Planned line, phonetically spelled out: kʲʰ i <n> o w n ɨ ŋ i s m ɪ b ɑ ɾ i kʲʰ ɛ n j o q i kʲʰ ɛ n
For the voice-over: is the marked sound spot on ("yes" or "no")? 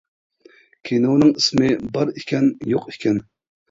yes